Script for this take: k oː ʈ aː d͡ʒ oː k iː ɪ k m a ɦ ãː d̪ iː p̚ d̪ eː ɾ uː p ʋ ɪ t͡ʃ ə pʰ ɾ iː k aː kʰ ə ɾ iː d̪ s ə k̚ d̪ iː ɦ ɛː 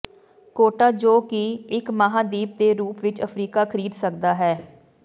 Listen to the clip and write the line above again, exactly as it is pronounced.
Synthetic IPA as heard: k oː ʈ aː d͡ʒ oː k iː ɪ k m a ɦ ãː d̪ iː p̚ d̪ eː ɾ uː p ʋ ɪ t͡ʃ ə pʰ ɾ iː k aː kʰ ə ɾ iː d̪ s ə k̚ d̪ aː ɦ ɛː